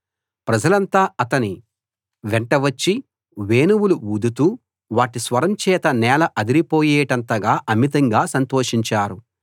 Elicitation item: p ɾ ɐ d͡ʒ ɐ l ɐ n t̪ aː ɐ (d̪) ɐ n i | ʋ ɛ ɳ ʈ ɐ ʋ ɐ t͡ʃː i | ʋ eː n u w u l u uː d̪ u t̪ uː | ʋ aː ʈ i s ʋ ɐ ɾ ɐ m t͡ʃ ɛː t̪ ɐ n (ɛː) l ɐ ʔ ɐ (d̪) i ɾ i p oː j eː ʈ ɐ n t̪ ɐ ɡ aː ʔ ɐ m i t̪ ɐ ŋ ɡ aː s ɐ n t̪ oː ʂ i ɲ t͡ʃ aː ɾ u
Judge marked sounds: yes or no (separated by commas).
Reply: no, yes, yes